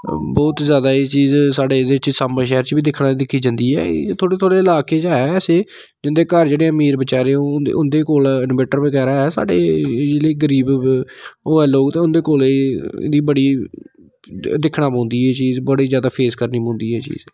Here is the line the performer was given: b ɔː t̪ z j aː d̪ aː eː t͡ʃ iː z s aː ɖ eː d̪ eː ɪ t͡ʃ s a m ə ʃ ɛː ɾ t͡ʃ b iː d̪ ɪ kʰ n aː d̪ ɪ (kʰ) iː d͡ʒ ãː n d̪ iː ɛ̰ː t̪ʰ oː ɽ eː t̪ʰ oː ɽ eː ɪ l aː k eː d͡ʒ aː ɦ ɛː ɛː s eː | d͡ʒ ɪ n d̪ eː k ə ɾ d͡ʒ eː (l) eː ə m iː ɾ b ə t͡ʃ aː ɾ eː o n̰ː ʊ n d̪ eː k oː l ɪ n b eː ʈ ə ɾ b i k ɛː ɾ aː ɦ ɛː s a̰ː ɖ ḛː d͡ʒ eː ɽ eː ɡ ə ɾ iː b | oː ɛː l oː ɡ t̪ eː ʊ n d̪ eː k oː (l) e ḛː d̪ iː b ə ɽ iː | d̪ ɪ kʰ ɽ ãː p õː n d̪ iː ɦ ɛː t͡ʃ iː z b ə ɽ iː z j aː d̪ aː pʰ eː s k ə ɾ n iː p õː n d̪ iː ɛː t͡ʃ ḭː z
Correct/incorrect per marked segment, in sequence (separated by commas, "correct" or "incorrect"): correct, incorrect, correct